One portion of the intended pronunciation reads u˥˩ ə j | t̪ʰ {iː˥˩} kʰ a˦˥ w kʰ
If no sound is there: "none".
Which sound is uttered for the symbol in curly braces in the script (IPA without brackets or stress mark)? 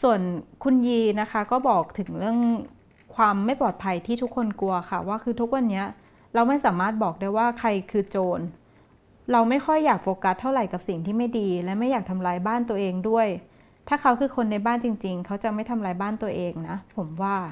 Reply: aː˥˩